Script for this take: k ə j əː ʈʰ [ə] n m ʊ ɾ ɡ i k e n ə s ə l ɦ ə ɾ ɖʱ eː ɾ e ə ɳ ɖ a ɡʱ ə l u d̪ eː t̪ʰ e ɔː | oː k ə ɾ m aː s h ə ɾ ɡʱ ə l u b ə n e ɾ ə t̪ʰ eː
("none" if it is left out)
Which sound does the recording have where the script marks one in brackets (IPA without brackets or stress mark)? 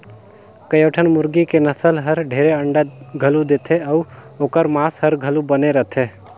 ə